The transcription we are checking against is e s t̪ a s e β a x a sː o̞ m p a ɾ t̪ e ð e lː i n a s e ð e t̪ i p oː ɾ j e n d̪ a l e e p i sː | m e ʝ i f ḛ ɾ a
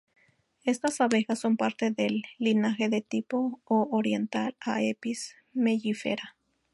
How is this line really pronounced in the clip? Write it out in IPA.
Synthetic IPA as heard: e s t̪ a s a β e x a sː o̞ m p a ɾ t̪ e ð e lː i n a x e ð e t̪ i p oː ɾ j e n t̪ a l a e p i s | m e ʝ i f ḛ ɾ a